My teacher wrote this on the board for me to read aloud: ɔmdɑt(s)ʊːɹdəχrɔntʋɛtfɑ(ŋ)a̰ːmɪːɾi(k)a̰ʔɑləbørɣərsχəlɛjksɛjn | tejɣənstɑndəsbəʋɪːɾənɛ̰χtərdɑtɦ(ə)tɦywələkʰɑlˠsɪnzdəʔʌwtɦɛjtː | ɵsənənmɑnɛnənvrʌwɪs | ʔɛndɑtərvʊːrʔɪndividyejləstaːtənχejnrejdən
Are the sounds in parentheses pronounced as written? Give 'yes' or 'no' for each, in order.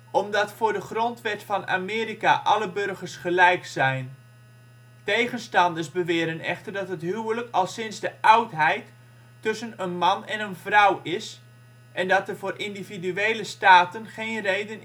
no, no, yes, yes

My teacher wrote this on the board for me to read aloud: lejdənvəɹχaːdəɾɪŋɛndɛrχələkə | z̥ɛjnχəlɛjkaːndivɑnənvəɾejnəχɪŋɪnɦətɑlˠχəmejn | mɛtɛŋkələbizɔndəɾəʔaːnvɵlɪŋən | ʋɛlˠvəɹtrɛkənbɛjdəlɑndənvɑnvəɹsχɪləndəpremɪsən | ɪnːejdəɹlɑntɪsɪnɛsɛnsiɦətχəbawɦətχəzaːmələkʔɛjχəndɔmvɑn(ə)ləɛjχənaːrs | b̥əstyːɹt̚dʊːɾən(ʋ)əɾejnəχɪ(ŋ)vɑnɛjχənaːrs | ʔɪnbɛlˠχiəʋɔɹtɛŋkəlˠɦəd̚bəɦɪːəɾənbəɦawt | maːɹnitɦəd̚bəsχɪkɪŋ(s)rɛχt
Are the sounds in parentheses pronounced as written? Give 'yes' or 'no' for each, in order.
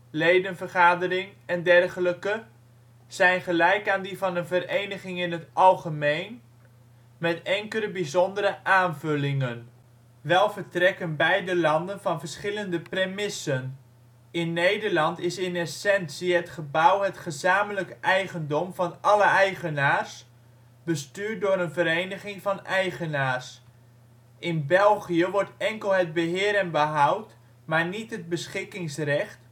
no, no, yes, yes

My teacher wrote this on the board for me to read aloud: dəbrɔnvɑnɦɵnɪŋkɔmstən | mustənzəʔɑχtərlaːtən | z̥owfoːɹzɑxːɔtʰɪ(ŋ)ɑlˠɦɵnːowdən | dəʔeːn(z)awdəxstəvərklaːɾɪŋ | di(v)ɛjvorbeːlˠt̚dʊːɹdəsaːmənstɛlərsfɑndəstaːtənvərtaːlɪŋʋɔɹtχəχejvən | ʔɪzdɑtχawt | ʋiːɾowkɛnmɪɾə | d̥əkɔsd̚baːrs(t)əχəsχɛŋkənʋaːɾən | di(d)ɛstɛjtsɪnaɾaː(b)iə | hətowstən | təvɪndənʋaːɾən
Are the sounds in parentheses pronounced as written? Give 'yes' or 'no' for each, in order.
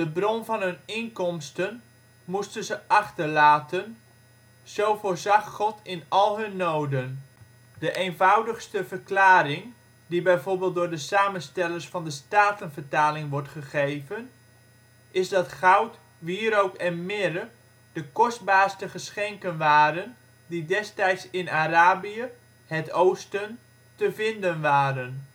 no, no, no, yes, yes, yes

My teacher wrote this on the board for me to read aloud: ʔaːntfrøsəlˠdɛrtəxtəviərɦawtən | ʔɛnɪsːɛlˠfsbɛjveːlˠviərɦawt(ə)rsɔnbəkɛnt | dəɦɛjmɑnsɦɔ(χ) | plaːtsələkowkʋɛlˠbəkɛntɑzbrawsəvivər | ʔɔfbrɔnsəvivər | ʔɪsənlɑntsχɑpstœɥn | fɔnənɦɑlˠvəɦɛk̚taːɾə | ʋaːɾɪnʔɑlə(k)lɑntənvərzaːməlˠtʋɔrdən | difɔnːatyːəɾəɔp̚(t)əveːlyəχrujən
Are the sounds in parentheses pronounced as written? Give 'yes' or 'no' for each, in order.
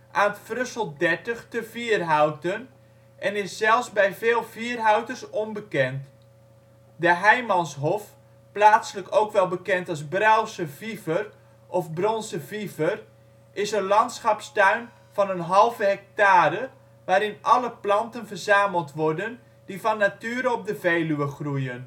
yes, no, no, no

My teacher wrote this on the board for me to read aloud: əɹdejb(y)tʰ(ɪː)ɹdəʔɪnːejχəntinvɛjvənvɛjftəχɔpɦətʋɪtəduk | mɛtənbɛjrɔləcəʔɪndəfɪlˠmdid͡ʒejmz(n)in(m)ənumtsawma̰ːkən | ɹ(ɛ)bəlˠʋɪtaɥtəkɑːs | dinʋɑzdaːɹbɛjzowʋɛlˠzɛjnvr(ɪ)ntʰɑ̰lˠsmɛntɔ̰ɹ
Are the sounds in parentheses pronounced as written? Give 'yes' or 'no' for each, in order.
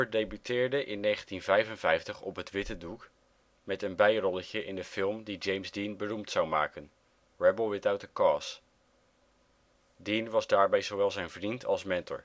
yes, yes, no, no, yes, no

